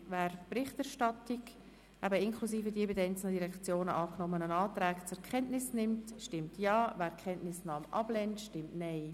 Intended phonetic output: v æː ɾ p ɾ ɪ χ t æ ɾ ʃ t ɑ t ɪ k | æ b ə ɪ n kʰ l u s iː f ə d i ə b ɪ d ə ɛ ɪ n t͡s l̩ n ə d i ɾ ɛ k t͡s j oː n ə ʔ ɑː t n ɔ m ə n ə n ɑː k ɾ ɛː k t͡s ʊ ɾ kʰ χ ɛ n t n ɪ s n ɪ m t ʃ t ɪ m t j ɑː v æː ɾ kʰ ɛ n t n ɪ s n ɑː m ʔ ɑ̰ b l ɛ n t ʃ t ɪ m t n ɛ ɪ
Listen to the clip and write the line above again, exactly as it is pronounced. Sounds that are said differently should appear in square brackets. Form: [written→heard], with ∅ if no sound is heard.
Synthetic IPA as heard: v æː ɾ p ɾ ɪ χ t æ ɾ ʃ t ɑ t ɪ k | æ b ə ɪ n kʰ l u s iː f ə d i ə b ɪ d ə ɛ ɪ n t͡s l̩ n ə d i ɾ ɛ k t͡s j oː n ə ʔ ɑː [t→k] n ɔ m ə n ə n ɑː [k→t] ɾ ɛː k t͡s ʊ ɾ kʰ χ ɛ n t n ɪ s n ɪ m t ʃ t ɪ m t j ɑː v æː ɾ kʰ ɛ n t n ɪ s n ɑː m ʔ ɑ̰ b l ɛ n t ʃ t ɪ m t n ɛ ɪ

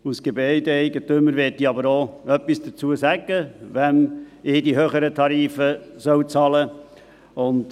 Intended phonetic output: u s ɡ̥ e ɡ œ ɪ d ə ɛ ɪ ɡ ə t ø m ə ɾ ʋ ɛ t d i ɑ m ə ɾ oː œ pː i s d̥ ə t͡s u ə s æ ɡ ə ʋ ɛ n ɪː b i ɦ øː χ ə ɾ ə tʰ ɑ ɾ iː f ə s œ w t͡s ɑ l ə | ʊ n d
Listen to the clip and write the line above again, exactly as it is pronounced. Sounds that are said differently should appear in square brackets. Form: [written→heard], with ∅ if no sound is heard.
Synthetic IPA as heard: u s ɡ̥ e [ɡ→b] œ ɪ d ə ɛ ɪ ɡ ə t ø m ə ɾ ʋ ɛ t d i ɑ [m→b] ə ɾ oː œ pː i s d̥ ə t͡s u ə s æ ɡ ə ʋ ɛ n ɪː [b→d] i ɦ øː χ ə ɾ ə tʰ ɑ ɾ iː f ə s œ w t͡s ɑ l ə | ʊ n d

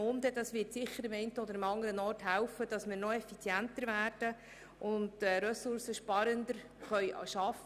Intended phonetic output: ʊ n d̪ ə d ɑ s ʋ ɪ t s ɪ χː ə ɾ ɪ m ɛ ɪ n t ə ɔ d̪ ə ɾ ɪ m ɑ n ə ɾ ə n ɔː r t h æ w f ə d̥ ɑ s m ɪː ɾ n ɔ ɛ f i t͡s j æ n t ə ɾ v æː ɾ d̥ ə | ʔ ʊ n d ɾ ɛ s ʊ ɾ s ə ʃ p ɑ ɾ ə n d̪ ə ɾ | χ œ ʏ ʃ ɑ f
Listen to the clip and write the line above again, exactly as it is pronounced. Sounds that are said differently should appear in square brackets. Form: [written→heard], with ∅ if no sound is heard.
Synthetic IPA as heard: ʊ n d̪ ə d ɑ s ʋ ɪ t s ɪ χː ə ɾ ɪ m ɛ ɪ n t ə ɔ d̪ ə ɾ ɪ m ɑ [n→ŋ] ə ɾ ə n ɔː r t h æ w f ə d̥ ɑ s m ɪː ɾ n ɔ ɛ f i t͡s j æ n t ə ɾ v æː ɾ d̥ ə | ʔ ʊ n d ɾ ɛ s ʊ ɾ s ə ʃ p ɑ ɾ ə n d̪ ə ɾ | χ œ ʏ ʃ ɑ f

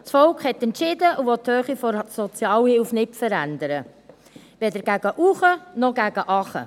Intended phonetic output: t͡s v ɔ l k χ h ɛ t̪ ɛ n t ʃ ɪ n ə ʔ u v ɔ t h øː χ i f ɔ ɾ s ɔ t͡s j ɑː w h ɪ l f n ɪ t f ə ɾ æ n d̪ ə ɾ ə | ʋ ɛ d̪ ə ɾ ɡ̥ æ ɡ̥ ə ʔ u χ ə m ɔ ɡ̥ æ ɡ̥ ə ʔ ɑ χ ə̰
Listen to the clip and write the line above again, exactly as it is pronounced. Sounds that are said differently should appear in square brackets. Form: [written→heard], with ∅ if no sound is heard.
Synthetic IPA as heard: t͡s [v→f] ɔ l k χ h ɛ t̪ ɛ n t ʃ ɪ [n→d] ə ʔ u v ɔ t h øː χ i f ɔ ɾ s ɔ t͡s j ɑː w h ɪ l f n ɪ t f ə ɾ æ n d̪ ə ɾ ə | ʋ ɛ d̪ ə ɾ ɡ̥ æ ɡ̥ ə ʔ u χ ə [m→n] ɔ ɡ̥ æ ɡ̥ ə ʔ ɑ χ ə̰

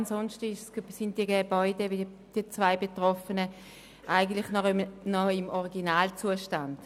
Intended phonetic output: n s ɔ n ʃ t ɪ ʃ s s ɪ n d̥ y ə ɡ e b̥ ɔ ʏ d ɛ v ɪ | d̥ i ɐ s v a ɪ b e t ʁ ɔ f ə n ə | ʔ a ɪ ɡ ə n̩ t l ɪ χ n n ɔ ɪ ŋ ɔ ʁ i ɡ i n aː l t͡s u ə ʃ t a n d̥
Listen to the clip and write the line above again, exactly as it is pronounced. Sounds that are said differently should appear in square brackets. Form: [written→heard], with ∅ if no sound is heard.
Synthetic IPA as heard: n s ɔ n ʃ t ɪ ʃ s s ɪ n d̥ [y→i] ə ɡ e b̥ ɔ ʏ d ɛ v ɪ | d̥ i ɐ [s→t͡s] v a ɪ b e t ʁ ɔ f ə n ə | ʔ a ɪ ɡ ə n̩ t l ɪ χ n n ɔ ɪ [ŋ→m] ɔ ʁ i ɡ i n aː l t͡s u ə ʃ t a n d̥

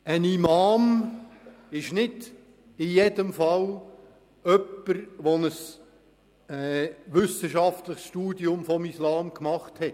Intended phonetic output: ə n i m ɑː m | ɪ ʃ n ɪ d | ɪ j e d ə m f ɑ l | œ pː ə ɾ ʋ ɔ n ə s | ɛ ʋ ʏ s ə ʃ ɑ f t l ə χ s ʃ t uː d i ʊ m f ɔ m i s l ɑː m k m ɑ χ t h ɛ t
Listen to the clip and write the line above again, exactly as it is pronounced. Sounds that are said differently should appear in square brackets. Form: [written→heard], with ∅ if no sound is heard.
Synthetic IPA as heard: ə n i m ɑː m | ɪ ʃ n ɪ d | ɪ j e d ə m f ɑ l | œ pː ə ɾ ʋ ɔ n ə s | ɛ ʋ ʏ s ə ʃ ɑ f t l ə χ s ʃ t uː d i ʊ m f ɔ m i s l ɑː m k m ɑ χ t h ɛ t

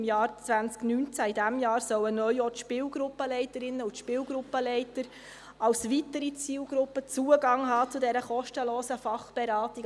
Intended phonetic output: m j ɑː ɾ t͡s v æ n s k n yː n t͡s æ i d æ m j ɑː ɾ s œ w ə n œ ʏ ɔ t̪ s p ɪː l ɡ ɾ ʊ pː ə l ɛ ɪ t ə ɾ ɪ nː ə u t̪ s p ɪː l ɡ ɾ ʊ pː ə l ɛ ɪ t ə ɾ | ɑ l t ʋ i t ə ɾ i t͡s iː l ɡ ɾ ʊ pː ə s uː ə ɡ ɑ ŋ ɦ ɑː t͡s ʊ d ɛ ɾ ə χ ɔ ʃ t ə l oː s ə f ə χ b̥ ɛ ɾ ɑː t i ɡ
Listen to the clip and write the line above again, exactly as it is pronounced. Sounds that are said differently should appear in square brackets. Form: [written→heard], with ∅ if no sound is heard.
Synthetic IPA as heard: m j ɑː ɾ t͡s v æ n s k n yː n t͡s æ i d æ m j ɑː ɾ s œ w ə n œ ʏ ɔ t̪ [s→ʃ] p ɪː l ɡ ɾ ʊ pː ə l ɛ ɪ t ə ɾ ɪ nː ə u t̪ [s→ʃ] p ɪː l ɡ ɾ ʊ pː ə l ɛ ɪ t ə ɾ | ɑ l [t→s] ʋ i t ə ɾ i t͡s iː l ɡ ɾ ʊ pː ə [s→t͡s] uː ə ɡ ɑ ŋ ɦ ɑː t͡s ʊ d ɛ ɾ ə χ ɔ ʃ t ə l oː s ə f [ə→ɑ] χ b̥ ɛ ɾ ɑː t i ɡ

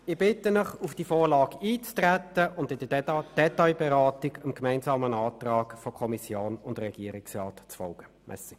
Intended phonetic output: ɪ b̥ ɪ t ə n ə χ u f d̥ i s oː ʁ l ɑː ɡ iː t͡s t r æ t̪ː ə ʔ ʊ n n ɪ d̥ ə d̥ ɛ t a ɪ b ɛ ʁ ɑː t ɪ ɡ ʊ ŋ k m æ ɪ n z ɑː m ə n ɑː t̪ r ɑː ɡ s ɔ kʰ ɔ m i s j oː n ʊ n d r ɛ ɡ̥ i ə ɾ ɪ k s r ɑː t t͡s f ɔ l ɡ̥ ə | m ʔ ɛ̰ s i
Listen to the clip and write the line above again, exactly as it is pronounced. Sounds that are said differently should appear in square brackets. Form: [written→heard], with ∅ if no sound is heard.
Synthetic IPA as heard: ɪ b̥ ɪ t ə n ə χ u f d̥ i [s→f] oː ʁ l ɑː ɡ iː t͡s t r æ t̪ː ə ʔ ʊ n [n→d] ɪ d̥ ə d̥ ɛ t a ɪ b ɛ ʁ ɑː t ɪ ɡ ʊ [ŋ→m] k m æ ɪ n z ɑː m ə n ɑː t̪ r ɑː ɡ [s→f] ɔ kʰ ɔ m i s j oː n ʊ n d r ɛ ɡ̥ i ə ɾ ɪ k s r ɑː t t͡s f ɔ l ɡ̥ ə | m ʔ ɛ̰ s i

